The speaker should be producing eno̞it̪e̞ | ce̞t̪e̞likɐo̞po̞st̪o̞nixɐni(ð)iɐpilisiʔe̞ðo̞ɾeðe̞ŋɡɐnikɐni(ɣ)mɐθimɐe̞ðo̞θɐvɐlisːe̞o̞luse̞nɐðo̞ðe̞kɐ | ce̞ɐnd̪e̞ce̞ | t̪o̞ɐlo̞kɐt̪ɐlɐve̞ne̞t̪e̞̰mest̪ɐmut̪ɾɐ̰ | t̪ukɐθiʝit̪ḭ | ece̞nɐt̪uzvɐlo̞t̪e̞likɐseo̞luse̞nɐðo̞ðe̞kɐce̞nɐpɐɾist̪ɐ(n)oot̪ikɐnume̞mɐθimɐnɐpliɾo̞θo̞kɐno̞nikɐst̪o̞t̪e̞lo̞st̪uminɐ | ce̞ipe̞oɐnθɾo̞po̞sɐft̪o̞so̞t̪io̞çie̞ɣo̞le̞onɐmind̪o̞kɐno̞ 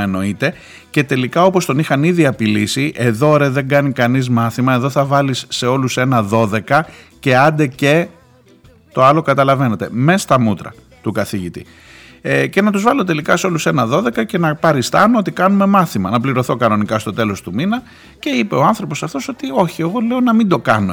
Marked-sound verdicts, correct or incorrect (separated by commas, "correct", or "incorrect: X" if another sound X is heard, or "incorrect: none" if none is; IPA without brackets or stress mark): correct, incorrect: z, correct